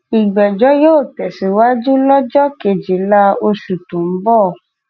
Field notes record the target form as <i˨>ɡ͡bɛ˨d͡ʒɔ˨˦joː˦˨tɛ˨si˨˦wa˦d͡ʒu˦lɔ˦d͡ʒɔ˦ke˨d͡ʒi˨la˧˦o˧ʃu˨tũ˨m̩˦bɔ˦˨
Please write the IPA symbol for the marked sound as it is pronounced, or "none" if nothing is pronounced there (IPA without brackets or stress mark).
i˨